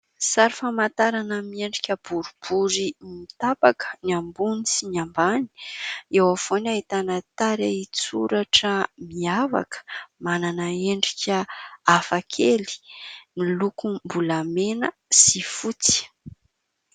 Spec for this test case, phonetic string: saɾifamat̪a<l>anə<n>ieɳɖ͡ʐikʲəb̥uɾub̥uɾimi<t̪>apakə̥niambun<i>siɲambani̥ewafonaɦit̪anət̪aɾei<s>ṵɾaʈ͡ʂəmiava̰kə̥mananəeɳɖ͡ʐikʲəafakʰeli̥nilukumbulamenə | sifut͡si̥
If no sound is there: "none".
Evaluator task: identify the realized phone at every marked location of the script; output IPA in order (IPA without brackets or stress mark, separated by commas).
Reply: ɾ, m, t̪, i, t͡s